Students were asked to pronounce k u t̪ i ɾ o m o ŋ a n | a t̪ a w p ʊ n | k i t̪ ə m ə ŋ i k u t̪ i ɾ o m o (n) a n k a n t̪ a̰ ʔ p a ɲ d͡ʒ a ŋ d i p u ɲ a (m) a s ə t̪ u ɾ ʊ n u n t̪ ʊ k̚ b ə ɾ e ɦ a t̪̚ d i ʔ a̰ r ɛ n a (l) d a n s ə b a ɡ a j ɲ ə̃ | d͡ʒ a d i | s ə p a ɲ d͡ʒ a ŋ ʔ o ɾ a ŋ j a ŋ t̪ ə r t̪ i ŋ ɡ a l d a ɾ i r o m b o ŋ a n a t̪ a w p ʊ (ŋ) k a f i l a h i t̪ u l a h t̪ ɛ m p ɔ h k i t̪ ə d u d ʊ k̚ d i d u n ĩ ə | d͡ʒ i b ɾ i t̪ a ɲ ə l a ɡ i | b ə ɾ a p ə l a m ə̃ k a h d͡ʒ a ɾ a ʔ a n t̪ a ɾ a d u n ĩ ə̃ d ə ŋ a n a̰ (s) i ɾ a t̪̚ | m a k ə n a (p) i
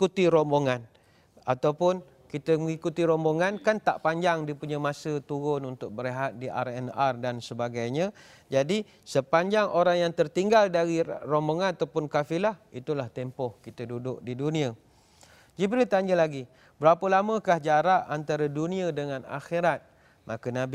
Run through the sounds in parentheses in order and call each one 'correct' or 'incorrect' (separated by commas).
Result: incorrect, correct, incorrect, incorrect, incorrect, incorrect